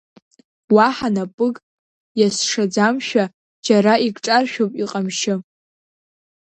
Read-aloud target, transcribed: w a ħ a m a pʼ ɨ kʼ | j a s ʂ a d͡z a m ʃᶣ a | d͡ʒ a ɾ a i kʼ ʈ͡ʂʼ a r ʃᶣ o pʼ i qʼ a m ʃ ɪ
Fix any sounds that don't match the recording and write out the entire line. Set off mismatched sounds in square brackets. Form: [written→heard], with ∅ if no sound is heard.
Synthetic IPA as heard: w a ħ a [m→n] a pʼ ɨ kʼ | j a s ʂ a d͡z a m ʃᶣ a | d͡ʒ a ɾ a i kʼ ʈ͡ʂʼ a r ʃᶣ o pʼ i qʼ a m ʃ ɪ